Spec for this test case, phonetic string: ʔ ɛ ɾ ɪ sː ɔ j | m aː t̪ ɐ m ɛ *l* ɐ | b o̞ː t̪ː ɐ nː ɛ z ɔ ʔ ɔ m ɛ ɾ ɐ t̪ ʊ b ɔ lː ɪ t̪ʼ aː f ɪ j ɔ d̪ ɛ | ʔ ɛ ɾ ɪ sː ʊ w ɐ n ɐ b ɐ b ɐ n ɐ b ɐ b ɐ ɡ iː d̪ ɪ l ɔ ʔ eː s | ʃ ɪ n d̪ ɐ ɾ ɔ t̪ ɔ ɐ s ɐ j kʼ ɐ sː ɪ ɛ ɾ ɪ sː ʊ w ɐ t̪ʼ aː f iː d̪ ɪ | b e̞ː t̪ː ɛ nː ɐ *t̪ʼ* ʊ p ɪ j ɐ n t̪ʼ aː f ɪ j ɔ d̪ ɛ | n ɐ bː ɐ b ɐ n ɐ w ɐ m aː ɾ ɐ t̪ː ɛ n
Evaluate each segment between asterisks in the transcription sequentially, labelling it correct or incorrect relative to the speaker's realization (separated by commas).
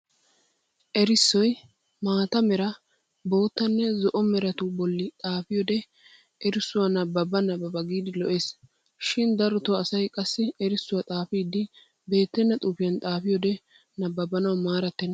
incorrect, correct